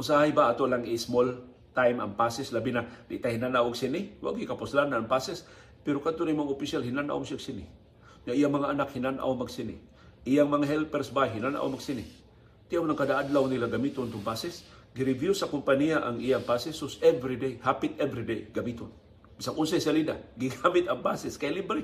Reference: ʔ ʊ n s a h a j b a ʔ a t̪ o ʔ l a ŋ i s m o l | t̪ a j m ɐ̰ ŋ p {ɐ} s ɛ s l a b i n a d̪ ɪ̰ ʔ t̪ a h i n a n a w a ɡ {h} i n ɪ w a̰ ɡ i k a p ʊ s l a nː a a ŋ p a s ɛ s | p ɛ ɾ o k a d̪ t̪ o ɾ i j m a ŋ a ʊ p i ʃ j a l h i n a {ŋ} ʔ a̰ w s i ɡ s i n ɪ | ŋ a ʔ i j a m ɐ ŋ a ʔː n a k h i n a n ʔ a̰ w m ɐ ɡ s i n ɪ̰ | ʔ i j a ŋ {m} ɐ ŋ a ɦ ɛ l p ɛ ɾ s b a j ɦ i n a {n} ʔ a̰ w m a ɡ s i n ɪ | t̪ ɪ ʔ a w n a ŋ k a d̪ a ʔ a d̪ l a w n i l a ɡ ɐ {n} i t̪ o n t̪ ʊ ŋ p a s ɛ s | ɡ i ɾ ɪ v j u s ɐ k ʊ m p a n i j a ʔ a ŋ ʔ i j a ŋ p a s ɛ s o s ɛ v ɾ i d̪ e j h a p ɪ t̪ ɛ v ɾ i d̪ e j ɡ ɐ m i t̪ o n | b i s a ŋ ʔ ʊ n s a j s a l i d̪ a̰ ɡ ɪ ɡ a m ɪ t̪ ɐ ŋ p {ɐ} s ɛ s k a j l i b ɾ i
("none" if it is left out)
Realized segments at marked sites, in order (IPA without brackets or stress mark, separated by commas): a, s, n, m, n, m, a